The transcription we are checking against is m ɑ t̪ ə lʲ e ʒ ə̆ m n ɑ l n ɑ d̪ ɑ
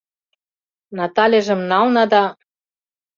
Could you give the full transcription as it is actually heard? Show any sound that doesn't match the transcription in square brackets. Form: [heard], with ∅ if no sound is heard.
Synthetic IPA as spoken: [n] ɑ t̪ [ɑ] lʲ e ʒ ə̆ m n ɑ l n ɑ d̪ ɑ